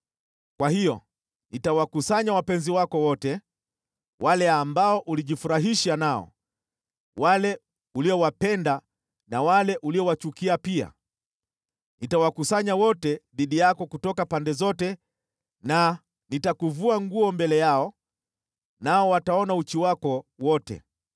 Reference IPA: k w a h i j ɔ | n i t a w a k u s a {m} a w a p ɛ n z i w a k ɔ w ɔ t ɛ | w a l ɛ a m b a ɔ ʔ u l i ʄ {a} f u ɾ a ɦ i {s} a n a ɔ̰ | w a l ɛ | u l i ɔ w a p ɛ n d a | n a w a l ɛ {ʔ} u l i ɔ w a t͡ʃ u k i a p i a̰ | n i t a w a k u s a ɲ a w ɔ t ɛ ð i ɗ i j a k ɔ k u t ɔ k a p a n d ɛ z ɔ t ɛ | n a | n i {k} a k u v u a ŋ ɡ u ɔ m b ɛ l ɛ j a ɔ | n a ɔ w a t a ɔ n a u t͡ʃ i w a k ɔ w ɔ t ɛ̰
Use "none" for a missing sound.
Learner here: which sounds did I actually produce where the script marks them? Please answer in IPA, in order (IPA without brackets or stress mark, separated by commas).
ɲ, i, ʃ, ʔ, t